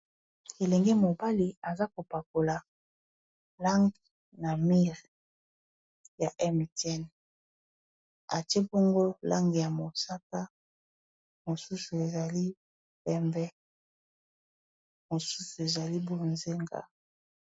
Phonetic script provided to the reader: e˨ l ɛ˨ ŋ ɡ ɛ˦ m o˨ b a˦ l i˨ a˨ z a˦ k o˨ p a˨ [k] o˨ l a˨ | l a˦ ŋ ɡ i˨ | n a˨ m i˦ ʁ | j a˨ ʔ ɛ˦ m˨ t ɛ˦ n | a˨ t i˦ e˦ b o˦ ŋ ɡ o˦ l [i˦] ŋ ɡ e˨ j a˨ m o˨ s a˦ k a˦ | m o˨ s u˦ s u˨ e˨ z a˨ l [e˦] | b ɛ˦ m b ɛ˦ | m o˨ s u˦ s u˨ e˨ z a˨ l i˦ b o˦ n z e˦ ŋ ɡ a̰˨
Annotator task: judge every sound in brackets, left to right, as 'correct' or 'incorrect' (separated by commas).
correct, incorrect, incorrect